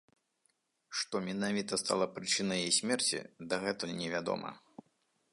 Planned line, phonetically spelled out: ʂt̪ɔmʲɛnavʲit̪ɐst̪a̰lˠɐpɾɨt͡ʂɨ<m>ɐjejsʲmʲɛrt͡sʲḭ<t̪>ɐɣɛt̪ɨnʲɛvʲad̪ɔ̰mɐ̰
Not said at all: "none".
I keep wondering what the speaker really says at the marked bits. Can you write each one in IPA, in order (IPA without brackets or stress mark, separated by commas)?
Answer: n, d̪